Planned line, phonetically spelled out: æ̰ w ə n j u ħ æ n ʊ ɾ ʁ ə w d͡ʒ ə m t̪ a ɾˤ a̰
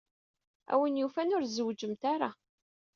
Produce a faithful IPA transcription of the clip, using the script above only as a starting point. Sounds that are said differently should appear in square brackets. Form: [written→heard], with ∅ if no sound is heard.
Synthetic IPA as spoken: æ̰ w ə n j u [ħ→f] æ n ʊ ɾ [ʁ→z] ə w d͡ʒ ə m t̪ a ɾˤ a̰